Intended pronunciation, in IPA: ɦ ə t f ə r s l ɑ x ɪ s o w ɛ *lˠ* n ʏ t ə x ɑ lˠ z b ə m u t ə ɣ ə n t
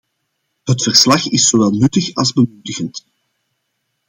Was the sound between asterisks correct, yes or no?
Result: yes